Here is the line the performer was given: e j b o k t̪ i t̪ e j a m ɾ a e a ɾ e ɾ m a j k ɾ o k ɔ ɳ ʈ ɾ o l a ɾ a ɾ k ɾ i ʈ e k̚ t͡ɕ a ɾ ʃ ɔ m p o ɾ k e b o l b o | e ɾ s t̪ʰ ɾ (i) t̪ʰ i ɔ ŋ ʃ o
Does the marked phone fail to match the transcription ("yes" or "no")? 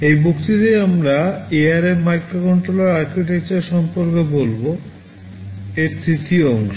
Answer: no